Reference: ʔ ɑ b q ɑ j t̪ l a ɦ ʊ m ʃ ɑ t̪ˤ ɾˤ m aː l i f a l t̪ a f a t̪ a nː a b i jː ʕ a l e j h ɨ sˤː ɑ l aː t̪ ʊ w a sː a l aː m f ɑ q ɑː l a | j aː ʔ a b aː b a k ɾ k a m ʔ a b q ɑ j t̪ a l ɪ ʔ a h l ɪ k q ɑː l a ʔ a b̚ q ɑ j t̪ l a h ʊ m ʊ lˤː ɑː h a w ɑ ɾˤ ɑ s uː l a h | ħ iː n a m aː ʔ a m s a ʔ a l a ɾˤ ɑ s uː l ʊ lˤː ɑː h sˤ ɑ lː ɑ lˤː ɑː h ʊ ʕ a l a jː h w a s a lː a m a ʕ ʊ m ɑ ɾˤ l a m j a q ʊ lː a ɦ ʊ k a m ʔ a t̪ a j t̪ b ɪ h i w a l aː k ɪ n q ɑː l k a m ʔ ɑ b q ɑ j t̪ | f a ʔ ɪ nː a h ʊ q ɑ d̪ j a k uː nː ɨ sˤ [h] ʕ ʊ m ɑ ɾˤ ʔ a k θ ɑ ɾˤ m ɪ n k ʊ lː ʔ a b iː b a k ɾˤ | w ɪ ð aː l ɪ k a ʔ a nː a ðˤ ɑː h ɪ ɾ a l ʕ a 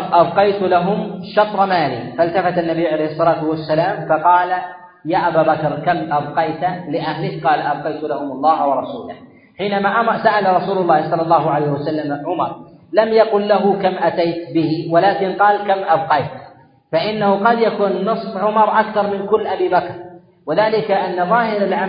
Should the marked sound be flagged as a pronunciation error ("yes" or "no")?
yes